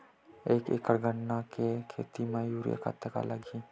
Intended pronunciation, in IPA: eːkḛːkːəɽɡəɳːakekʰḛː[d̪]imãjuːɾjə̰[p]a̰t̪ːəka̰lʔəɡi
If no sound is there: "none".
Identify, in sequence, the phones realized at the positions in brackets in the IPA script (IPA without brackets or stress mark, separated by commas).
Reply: t̪, k